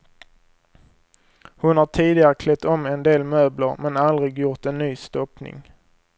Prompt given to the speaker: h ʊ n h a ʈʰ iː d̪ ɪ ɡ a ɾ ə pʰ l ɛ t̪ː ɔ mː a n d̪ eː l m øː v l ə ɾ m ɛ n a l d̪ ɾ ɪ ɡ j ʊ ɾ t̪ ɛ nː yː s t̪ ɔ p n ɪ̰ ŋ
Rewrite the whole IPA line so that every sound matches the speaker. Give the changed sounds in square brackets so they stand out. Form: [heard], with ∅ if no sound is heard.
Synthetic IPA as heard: h ʊ n h a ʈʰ iː d̪ ɪ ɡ a ɾ ə [kʰ] l ɛ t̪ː ɔ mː [ɛ] n d̪ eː l m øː [b] l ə ɾ m ɛ n a l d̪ ɾ ɪ ɡ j ʊ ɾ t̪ ɛ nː yː s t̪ ɔ p n ɪ̰ ŋ